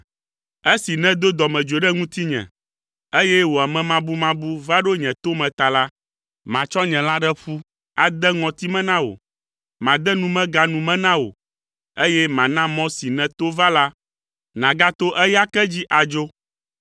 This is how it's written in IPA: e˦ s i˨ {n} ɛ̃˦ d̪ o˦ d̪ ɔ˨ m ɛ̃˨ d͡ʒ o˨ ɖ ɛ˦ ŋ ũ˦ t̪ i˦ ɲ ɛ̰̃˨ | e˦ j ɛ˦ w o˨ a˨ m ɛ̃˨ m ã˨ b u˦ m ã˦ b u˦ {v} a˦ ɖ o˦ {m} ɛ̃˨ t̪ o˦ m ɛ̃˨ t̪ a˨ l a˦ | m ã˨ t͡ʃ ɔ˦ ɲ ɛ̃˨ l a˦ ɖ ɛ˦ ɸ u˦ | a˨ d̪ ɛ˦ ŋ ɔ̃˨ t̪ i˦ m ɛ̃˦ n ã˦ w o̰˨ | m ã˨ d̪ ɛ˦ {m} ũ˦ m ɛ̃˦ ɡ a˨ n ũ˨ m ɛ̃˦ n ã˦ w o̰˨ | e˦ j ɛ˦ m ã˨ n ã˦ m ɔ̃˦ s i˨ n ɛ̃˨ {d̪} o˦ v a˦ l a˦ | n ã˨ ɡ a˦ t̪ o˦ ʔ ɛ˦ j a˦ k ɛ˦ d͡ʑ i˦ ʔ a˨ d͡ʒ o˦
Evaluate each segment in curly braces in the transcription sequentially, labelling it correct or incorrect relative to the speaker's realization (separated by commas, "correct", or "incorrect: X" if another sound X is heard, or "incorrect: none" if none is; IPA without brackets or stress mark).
correct, correct, incorrect: ɲ, incorrect: n, incorrect: t̪